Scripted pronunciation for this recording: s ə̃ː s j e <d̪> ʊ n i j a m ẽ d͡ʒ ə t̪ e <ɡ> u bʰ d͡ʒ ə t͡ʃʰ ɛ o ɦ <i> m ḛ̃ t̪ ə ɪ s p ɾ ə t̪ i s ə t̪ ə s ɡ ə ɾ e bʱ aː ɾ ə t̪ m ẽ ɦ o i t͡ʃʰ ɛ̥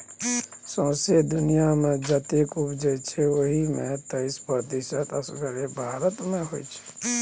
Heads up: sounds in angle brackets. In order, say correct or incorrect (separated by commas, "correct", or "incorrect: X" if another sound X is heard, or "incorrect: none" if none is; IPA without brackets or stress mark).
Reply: correct, incorrect: k, correct